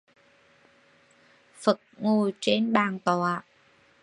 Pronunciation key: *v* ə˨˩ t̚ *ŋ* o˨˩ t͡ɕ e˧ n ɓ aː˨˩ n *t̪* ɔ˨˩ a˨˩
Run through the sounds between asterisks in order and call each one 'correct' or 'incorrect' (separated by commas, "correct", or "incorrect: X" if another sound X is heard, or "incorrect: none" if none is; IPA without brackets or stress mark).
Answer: incorrect: f, correct, correct